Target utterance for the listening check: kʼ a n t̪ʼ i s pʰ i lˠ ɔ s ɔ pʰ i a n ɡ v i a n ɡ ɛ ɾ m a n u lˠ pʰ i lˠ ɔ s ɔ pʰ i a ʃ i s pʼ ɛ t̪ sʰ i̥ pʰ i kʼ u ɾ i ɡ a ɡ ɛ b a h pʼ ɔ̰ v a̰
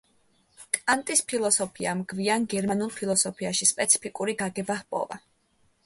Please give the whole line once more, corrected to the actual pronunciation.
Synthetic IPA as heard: kʼ a n t̪ʼ i s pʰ i lˠ ɔ s ɔ pʰ i a m ɡ v i a n ɡ ɛ ɾ m a n u lˠ pʰ i lˠ ɔ s ɔ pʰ i a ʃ i s pʼ ɛ t̪ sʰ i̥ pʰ i kʼ u ɾ i ɡ a ɡ ɛ b a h pʼ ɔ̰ v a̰